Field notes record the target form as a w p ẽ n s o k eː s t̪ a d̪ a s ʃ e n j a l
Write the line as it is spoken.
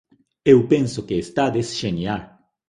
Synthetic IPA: e w p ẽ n s o k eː s t̪ a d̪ e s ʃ e n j a l